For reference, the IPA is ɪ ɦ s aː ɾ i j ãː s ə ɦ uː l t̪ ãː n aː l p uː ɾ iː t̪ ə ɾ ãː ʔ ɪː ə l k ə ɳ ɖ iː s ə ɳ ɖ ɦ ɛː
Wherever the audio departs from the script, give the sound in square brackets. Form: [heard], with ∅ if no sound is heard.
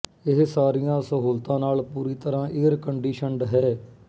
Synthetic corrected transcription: ɪ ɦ s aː ɾ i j ãː s ə ɦ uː l t̪ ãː n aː l p uː ɾ iː t̪ ə ɾ ãː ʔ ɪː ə [ɾ] k ə ɳ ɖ iː [ʃ] ə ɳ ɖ ɦ ɛː

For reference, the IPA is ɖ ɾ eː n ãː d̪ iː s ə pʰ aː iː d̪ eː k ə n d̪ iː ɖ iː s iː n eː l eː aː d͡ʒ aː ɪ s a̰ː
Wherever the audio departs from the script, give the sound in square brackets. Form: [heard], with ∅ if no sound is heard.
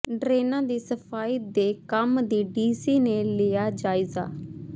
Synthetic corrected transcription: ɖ ɾ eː n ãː d̪ iː s ə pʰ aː iː d̪ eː k ə [m] d̪ iː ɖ iː s iː n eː l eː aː d͡ʒ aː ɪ [z] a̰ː

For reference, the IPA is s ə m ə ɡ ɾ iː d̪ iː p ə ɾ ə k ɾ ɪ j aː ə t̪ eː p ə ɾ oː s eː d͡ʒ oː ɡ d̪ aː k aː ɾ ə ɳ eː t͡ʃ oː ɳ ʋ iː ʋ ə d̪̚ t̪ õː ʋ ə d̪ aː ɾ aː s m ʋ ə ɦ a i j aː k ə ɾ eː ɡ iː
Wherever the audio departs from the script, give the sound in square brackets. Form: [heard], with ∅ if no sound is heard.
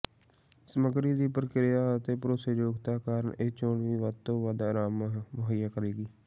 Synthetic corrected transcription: s ə m ə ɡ ɾ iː d̪ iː p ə ɾ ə k ɾ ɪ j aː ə t̪ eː p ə ɾ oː s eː d͡ʒ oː ɡ [t̪] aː k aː ɾ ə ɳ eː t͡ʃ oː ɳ ʋ iː ʋ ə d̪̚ t̪ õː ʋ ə d̪ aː ɾ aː [∅] m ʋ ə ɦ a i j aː k ə ɾ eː ɡ iː

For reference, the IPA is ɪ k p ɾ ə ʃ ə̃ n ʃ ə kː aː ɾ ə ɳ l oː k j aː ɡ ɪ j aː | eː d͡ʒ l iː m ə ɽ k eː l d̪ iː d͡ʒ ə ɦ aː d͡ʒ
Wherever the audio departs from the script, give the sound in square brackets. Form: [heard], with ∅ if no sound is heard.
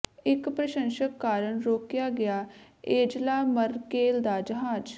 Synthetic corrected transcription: ɪ k p ɾ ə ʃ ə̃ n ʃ ə kː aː ɾ ə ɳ [ɾ] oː k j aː ɡ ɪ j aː | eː d͡ʒ l [aː] m ə [ɾ] k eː l d̪ [aː] d͡ʒ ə ɦ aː d͡ʒ

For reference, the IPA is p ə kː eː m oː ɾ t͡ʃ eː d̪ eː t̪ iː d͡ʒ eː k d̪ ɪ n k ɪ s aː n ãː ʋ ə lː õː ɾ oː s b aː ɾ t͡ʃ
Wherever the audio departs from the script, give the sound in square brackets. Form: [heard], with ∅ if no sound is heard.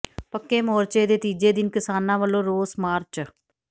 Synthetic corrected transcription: p ə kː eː m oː ɾ t͡ʃ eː d̪ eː t̪ iː d͡ʒ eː [∅] d̪ ɪ n k ɪ s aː n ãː ʋ ə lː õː ɾ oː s [m] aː ɾ t͡ʃ

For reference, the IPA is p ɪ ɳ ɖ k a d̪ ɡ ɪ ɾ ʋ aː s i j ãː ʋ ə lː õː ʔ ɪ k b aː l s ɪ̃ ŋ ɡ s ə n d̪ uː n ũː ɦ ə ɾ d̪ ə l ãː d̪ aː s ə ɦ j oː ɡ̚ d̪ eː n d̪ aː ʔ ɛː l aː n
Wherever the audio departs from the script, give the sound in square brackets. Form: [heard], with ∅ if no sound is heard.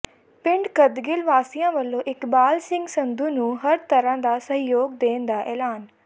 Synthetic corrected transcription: p ɪ ɳ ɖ k [ə] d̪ ɡ ɪ [l] ʋ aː s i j ãː ʋ ə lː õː ʔ ɪ k b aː l s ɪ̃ ŋ ɡ s ə n d̪ uː n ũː ɦ ə ɾ [t̪] ə [ɾ] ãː d̪ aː s ə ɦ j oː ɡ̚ d̪ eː n d̪ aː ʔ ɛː l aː n

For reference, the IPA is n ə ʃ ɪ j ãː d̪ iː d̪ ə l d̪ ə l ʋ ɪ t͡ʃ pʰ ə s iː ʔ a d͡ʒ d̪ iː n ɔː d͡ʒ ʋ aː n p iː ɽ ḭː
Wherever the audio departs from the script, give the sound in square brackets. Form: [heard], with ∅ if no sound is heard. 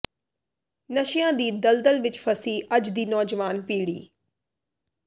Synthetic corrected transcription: n ə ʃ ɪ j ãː d̪ iː d̪ ə l d̪ ə l ʋ ɪ t͡ʃ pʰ ə s iː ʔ [ə] d͡ʒ d̪ iː n ɔː d͡ʒ ʋ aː n p iː ɽ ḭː

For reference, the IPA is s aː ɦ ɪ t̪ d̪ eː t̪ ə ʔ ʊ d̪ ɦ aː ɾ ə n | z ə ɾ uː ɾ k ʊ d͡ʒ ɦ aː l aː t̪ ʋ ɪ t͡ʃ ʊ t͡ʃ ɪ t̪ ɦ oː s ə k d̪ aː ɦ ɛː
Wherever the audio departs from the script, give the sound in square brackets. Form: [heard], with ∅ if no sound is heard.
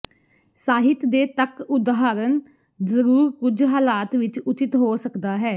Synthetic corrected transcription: s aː ɦ ɪ t̪ d̪ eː t̪ ə [k] ʊ d̪ ɦ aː ɾ ə n | z ə ɾ uː ɾ k ʊ d͡ʒ ɦ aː l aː t̪ ʋ ɪ t͡ʃ ʊ t͡ʃ ɪ t̪ ɦ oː s ə k d̪ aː ɦ ɛː

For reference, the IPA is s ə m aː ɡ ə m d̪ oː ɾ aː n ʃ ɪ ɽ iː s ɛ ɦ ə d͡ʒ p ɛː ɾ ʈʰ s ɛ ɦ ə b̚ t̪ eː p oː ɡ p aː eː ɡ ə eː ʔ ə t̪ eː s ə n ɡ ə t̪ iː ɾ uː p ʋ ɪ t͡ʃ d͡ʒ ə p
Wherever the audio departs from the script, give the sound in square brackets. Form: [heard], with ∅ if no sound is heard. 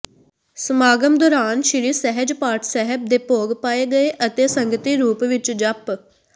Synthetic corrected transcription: s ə m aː ɡ ə m d̪ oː ɾ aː n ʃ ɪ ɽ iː s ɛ ɦ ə d͡ʒ p [aː] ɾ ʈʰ s ɛ ɦ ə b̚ [d̪] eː p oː ɡ p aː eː ɡ ə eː ʔ ə t̪ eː s ə [ŋ] ɡ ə t̪ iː ɾ uː p ʋ ɪ t͡ʃ d͡ʒ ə p

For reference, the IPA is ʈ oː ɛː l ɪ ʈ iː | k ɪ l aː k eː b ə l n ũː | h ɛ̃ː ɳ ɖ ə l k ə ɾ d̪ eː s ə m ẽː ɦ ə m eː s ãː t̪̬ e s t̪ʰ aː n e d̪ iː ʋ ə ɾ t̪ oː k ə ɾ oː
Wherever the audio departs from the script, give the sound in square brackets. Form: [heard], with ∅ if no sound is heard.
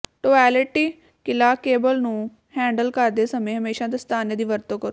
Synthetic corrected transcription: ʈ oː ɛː l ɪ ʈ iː | k ɪ l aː k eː b ə l n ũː | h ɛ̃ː ɳ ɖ ə l k ə ɾ d̪ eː s ə m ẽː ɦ ə m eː [ʃ] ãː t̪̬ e s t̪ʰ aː n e d̪ iː ʋ ə ɾ t̪ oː k ə ɾ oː

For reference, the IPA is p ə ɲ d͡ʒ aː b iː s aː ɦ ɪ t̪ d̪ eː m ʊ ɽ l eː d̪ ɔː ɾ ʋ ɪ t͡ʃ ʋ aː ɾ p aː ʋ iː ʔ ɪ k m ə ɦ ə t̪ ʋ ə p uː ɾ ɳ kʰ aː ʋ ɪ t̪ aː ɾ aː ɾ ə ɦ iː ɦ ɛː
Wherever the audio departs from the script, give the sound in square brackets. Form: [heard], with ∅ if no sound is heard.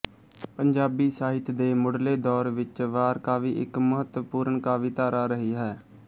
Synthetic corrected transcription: p ə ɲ d͡ʒ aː b iː s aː ɦ ɪ t̪ d̪ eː m ʊ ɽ l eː d̪ ɔː ɾ ʋ ɪ t͡ʃ ʋ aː ɾ [k] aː ʋ iː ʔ ɪ k m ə ɦ ə t̪ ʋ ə p uː ɾ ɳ [k] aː ʋ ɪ t̪ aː ɾ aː ɾ ə ɦ iː ɦ ɛː

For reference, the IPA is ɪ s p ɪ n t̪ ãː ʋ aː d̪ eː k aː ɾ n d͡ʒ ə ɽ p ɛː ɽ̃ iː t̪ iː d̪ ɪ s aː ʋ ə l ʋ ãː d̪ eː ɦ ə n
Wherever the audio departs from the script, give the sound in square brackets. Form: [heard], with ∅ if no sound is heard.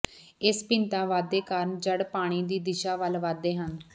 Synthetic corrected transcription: ɪ s p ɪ n t̪ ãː ʋ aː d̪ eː k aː ɾ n d͡ʒ ə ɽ p [aː] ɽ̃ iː [d̪] iː d̪ ɪ [ʃ] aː ʋ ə l ʋ [aː] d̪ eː ɦ ə n

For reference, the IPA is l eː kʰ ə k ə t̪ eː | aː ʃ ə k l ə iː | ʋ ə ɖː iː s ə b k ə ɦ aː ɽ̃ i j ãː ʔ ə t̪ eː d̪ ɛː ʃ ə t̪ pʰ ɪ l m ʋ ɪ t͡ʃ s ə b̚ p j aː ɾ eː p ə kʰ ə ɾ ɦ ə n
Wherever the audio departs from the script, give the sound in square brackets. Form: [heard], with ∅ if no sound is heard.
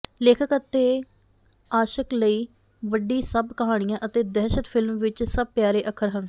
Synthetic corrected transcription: l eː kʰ ə k ə t̪ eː | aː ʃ ə k l ə iː | ʋ ə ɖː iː s ə b k ə ɦ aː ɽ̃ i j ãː ʔ ə t̪ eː d̪ ɛː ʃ ə t̪ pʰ ɪ l m ʋ ɪ t͡ʃ s ə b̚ p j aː ɾ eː [ʔ] ə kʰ ə ɾ ɦ ə n

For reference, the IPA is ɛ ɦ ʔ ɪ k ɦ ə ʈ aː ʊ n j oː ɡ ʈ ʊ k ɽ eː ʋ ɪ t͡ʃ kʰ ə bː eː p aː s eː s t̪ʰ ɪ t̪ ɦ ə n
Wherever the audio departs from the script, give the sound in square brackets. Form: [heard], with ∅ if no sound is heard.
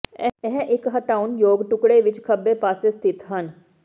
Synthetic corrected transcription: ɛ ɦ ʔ ɪ k ɦ ə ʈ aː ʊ n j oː ɡ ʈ ʊ k ɽ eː ʋ ɪ t͡ʃ kʰ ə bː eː p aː s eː s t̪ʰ ɪ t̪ ɦ ə n

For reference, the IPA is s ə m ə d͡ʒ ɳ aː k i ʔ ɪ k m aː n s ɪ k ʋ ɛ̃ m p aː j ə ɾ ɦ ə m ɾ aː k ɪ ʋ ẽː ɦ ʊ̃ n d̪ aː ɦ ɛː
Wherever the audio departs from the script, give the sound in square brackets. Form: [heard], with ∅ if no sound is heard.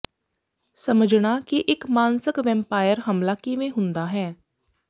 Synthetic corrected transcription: s ə m ə d͡ʒ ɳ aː k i ʔ ɪ k m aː n s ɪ k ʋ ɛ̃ m p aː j ə ɾ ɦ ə m [l] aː k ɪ ʋ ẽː ɦ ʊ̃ n d̪ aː ɦ ɛː

